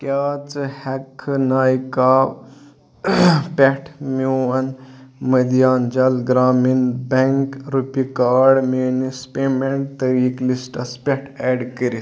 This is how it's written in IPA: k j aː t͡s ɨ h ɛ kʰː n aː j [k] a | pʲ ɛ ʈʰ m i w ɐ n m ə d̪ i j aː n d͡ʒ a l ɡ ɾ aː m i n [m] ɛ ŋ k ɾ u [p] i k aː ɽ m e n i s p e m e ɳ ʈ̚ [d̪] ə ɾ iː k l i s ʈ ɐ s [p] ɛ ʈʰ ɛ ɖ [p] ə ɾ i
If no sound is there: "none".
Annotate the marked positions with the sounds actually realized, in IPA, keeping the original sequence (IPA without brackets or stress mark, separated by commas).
k, b, p, t̪, p, k